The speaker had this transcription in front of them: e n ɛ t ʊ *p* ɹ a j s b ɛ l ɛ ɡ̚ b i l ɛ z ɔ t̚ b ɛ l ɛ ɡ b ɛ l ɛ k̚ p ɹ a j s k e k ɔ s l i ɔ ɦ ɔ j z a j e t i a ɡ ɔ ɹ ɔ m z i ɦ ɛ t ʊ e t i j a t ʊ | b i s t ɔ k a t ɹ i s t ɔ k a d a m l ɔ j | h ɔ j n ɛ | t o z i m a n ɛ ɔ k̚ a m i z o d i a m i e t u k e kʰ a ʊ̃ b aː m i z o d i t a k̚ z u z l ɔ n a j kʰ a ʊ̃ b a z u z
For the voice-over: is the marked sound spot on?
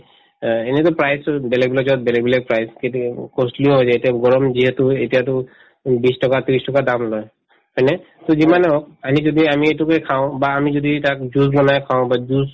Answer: yes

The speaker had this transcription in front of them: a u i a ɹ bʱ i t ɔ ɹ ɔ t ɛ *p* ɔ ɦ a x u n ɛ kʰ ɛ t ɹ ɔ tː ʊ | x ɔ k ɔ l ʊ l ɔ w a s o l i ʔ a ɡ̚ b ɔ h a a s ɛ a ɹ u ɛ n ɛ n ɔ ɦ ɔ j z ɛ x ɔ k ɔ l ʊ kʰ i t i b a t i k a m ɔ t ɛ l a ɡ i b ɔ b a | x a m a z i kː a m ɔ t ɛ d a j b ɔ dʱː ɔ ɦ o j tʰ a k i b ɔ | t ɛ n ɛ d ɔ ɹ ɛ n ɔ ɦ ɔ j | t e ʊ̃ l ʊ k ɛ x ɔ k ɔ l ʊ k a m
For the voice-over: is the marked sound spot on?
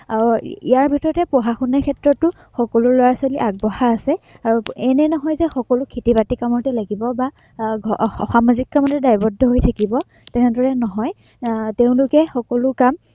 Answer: yes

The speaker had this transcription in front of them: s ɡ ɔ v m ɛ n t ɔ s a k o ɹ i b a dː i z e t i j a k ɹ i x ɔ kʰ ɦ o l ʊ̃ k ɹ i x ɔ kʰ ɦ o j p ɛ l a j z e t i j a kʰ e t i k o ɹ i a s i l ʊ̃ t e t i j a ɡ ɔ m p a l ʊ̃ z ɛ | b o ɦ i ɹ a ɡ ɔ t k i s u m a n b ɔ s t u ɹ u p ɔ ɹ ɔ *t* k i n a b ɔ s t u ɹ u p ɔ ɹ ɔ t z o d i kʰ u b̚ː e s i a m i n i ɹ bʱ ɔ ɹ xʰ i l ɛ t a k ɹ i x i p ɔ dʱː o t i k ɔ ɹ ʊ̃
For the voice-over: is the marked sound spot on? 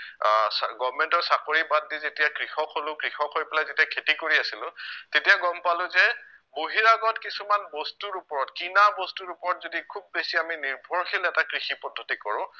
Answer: yes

